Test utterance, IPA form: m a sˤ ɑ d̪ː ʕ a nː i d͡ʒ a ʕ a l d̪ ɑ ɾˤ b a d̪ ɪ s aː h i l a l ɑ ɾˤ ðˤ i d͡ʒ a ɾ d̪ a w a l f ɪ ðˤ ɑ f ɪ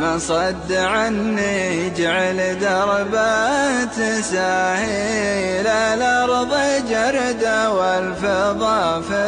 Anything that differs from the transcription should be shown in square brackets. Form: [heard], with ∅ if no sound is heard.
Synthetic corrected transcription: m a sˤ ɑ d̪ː ʕ a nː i d͡ʒ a ʕ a l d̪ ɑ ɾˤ b a [t̪] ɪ s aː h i l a l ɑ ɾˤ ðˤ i d͡ʒ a ɾ d̪ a w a l f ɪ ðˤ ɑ f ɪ